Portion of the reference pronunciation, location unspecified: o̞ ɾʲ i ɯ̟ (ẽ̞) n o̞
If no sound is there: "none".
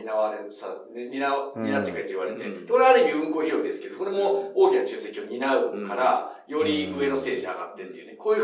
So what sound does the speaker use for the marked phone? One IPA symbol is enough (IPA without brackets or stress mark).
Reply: e̞